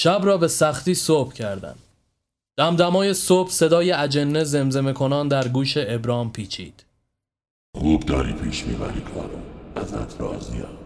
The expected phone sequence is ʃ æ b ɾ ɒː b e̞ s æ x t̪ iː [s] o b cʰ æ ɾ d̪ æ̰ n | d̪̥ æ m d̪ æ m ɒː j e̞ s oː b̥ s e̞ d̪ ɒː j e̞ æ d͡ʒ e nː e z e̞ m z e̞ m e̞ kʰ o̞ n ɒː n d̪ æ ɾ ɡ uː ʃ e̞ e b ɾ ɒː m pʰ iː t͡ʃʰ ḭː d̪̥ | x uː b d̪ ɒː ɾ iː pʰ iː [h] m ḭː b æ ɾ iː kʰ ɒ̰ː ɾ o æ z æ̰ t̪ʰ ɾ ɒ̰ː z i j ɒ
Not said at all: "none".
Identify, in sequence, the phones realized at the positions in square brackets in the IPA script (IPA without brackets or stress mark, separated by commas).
s, ʃ